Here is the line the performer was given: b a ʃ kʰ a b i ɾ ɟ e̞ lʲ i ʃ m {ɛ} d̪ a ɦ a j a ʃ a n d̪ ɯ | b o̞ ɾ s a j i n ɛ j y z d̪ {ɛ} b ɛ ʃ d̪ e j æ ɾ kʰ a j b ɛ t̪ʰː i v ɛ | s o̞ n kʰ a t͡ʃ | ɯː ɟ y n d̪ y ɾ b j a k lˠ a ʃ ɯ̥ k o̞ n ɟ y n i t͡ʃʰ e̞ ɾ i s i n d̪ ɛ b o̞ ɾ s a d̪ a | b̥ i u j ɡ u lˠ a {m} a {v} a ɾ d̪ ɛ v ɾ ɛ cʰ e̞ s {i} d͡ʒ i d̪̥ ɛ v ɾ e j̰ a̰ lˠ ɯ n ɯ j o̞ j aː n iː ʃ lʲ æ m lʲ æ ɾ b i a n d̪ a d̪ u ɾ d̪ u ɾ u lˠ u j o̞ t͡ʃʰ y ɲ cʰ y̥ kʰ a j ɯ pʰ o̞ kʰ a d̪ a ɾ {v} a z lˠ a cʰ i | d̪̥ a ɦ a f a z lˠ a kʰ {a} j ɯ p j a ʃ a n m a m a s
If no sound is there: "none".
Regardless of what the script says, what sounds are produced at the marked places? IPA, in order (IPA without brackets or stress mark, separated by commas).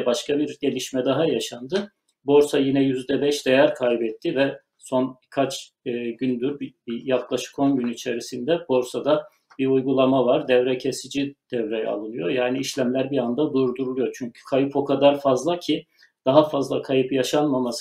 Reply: ɛ, ɛ, m, v, i, f, a